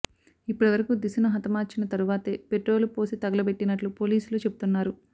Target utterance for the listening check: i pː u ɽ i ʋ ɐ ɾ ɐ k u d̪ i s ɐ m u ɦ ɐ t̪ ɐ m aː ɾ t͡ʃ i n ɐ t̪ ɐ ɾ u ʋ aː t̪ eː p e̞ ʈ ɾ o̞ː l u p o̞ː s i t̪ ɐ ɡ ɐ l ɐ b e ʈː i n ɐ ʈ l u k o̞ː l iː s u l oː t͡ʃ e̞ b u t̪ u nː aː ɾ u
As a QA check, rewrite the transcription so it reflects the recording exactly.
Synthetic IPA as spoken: i pː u ɽ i ʋ ɐ ɾ ɐ k u d̪ i s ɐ n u ɦ ɐ t̪ ɐ m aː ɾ t͡ʃ i n ɐ t̪ ɐ ɾ u ʋ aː t̪ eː p e̞ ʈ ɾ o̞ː l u p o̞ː s i t̪ ɐ ɡ ɐ l ɐ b e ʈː i n ɐ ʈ l u p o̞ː l iː s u l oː t͡ʃ e̞ b u t̪ u nː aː ɾ u